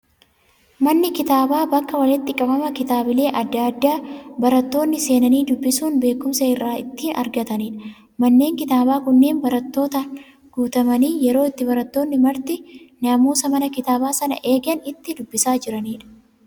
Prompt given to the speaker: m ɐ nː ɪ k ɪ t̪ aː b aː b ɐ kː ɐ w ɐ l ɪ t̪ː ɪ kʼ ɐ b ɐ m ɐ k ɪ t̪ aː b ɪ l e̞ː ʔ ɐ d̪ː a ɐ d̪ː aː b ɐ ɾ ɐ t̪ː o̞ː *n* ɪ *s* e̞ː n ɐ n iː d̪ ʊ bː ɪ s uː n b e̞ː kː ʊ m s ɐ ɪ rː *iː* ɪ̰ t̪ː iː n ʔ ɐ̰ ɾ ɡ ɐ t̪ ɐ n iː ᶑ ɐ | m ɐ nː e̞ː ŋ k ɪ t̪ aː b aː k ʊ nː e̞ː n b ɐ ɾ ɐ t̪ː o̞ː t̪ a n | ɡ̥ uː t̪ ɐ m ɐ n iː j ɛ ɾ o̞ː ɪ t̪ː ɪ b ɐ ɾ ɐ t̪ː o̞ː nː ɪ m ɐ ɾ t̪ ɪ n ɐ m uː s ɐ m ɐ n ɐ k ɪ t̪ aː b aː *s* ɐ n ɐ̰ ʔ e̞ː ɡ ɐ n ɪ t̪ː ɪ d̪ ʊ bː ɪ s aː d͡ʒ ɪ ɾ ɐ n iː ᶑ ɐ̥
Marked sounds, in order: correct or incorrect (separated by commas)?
incorrect, correct, incorrect, correct